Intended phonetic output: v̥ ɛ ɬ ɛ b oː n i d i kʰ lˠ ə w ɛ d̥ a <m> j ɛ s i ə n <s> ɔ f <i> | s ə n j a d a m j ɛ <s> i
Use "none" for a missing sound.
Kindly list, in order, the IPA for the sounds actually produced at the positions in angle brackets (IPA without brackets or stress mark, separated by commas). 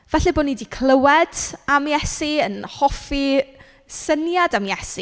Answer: m, h, i, s